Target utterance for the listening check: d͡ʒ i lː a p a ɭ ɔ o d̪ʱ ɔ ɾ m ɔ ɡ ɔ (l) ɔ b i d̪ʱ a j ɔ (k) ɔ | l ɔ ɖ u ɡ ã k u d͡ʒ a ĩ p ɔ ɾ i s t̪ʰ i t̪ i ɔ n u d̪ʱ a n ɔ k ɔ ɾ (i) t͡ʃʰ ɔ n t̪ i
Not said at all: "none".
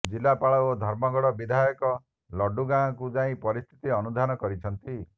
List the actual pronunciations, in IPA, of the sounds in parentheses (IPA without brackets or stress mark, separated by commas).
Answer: ɽ, k, i